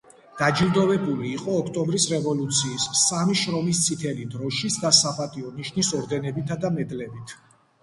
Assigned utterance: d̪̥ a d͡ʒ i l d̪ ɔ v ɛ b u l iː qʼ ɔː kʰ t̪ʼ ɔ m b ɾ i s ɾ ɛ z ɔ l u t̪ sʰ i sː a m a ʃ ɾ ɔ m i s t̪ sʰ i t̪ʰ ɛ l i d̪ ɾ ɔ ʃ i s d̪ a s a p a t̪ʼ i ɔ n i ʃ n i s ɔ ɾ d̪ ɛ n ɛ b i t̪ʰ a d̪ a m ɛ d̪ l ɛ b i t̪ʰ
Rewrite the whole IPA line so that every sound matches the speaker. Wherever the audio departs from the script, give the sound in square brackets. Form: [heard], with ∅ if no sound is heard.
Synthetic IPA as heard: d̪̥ a d͡ʒ i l d̪ ɔ v ɛ b u l iː qʼ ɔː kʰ t̪ʼ ɔ m b ɾ i s ɾ ɛ [v] ɔ l u t̪ sʰ [iː] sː a m [i] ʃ ɾ ɔ m i s t̪ sʰ i t̪ʰ ɛ l i d̪ ɾ ɔ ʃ i s d̪ a s a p a t̪ʼ i ɔ n i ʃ n i s ɔ ɾ d̪ ɛ n ɛ b i t̪ʰ a d̪ a m ɛ d̪ l ɛ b i t̪ʰ

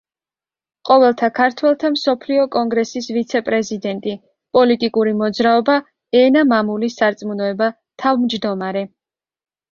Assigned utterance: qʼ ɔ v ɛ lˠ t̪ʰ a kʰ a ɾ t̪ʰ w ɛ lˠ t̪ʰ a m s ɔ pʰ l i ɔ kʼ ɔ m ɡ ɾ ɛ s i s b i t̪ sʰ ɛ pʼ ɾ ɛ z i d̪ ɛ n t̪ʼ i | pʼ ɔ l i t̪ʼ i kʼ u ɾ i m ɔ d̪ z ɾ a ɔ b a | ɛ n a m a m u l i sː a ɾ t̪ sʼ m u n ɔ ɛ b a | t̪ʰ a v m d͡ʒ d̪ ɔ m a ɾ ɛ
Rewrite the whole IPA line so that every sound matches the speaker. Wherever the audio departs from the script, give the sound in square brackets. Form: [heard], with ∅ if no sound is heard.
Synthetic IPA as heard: qʼ ɔ v ɛ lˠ t̪ʰ a kʰ a ɾ t̪ʰ w ɛ lˠ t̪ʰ a m s ɔ pʰ l i ɔ kʼ ɔ [ŋ] ɡ ɾ ɛ s i s [v] i t̪ sʰ ɛ pʼ ɾ ɛ z i d̪ ɛ n t̪ʼ i | pʼ ɔ l i t̪ʼ i kʼ u ɾ i m ɔ d̪ z ɾ a ɔ b a | ɛ n a m a m u l i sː a ɾ t̪ sʼ m u n ɔ ɛ b a | t̪ʰ a v m d͡ʒ d̪ ɔ m a ɾ ɛ

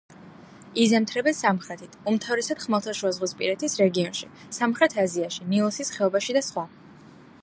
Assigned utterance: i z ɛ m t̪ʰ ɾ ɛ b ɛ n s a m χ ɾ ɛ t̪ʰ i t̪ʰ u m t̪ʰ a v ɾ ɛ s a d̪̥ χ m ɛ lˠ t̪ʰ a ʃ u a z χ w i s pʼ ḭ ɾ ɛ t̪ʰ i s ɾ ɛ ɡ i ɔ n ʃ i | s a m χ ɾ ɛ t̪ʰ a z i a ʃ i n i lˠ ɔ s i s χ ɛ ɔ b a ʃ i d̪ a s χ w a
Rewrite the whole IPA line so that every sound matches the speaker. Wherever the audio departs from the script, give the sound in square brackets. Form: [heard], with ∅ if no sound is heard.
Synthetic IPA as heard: i z ɛ m t̪ʰ ɾ ɛ b ɛ n s a m χ ɾ ɛ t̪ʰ i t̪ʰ u m t̪ʰ a v ɾ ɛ s a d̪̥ χ m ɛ lˠ t̪ʰ a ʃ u a z [ʁ] w i s pʼ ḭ ɾ ɛ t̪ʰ i s ɾ ɛ ɡ i ɔ n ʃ i | s a m χ ɾ ɛ t̪ʰ a z i a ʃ i n i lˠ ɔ s i s χ ɛ ɔ b a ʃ i d̪ a s χ w a

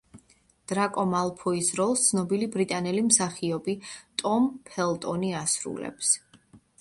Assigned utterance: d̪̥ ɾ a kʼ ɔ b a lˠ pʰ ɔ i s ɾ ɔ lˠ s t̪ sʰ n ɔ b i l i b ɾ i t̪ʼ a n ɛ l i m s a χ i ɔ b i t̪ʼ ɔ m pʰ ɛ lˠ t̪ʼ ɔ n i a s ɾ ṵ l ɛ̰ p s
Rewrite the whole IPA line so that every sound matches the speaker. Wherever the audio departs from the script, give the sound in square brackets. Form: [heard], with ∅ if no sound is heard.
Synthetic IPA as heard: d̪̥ ɾ a kʼ ɔ [m] a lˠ pʰ ɔ i s ɾ ɔ lˠ s t̪ sʰ n ɔ b i l i b ɾ i t̪ʼ a n ɛ l i m s a χ i ɔ b i t̪ʼ ɔ m pʰ ɛ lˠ t̪ʼ ɔ n i a s ɾ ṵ l ɛ̰ p s

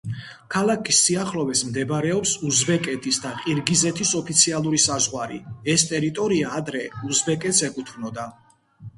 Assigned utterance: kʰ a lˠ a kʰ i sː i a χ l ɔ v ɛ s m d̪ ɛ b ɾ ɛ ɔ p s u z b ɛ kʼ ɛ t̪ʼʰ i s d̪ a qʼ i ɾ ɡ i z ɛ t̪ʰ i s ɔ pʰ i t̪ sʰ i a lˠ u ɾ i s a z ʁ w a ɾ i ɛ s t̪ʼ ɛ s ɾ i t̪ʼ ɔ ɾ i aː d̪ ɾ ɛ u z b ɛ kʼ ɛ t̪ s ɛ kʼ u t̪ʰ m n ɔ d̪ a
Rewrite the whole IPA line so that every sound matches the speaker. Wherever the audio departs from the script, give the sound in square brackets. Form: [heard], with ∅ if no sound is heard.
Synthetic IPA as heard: kʰ a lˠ a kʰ i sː i a χ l ɔ v ɛ s m d̪ ɛ b ɾ ɛ ɔ p s u z b ɛ kʼ ɛ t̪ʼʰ i s d̪ a qʼ i ɾ ɡ i z ɛ t̪ʰ i s ɔ pʰ i t̪ sʰ i a lˠ u ɾ i s a z ʁ w a ɾ i ɛ s t̪ʼ ɛ [∅] ɾ i t̪ʼ ɔ ɾ i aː d̪ ɾ ɛ u z b ɛ kʼ ɛ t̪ s ɛ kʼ u t̪ʰ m n ɔ d̪ a

